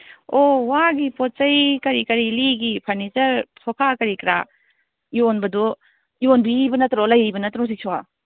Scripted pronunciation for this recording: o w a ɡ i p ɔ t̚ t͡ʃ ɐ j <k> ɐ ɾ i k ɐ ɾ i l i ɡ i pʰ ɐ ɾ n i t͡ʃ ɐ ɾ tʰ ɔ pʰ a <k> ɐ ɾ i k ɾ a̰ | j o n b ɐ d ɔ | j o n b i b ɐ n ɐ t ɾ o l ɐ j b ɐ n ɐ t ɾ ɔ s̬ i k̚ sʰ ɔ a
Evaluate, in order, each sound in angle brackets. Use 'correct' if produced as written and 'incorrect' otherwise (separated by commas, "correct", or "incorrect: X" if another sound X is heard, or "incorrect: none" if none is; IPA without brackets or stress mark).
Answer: correct, correct